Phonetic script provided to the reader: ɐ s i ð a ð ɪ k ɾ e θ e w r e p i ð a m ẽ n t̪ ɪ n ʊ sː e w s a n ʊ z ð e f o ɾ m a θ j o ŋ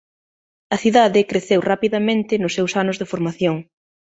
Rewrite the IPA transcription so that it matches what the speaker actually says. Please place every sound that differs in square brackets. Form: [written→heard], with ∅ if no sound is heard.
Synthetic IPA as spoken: ɐ [s→θ] i ð a ð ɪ k ɾ e θ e w r [e→a] p i ð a m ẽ n t̪ ɪ n ʊ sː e w s a n ʊ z ð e f o ɾ m a θ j o ŋ